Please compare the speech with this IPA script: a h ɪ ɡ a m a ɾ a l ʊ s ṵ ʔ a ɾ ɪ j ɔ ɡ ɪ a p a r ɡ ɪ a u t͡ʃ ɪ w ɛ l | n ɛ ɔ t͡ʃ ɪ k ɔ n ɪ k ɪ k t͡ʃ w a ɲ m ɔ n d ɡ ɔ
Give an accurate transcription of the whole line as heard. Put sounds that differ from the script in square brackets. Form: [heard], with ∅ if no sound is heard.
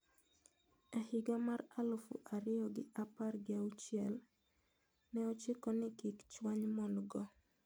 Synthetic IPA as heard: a h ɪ ɡ a m a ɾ a l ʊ [f] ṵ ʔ a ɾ ɪ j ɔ ɡ ɪ a p a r ɡ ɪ a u t͡ʃ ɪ [∅] ɛ l | n ɛ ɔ t͡ʃ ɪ k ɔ n ɪ k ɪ k t͡ʃ w a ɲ m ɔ n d ɡ ɔ